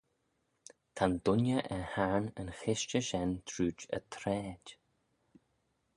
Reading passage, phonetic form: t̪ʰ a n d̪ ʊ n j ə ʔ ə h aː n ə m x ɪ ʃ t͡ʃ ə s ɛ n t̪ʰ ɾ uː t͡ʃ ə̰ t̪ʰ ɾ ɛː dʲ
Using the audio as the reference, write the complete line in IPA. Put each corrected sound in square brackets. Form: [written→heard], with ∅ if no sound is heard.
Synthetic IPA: t̪ʰ a n d̪ ʊ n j ə ʔ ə h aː n ə [m→n] x ɪ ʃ t͡ʃ ə [s→ʃ] ɛ n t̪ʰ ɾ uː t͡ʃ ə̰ t̪ʰ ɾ ɛː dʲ